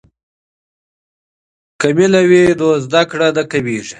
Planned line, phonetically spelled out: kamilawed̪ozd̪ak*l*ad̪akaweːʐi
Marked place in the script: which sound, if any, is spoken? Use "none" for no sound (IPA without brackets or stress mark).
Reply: ɽ